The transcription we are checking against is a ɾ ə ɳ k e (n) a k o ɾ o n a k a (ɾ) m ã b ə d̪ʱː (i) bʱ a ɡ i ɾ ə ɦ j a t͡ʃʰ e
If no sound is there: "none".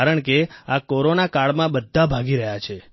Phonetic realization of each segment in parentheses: none, ɭ, a

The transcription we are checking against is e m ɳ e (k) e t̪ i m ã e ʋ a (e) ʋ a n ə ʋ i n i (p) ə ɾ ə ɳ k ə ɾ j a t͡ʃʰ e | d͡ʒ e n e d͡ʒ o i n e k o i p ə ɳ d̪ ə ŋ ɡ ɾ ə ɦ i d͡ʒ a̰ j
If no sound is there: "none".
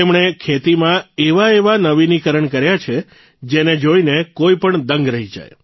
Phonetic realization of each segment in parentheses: kʰ, e, k

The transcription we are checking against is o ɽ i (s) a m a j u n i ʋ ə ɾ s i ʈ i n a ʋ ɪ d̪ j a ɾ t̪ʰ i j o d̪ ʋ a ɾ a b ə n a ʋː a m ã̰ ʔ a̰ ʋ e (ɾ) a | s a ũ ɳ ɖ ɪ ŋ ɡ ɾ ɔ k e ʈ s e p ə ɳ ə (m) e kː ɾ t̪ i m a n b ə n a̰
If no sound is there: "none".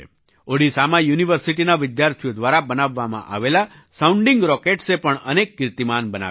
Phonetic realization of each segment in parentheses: s, l, n

